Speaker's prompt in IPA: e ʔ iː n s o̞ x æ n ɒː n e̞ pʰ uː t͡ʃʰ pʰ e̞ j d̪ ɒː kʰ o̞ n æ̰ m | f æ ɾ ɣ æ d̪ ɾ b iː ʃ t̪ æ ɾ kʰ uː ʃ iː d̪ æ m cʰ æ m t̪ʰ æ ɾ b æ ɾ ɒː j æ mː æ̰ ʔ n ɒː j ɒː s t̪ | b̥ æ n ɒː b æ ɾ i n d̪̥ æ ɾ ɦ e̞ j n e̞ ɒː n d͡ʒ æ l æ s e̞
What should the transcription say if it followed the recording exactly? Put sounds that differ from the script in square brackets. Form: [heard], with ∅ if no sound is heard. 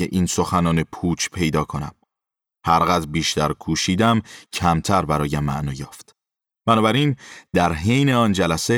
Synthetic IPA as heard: e ʔ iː n s o̞ x æ n ɒː n e̞ pʰ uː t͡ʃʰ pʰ e̞ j d̪ ɒː kʰ o̞ n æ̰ m | [h] æ ɾ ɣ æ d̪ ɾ b iː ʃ t̪ æ ɾ kʰ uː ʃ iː d̪ æ m cʰ æ m t̪ʰ æ ɾ b æ ɾ ɒː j æ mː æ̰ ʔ n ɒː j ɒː [f] t̪ | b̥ æ n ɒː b æ ɾ i n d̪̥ æ ɾ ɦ e̞ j n e̞ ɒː n d͡ʒ æ l æ s e̞